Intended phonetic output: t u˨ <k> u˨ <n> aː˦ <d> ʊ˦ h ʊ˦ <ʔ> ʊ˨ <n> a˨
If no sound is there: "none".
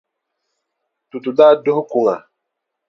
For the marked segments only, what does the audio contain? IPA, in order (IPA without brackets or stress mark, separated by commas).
t, d, d, k, ŋ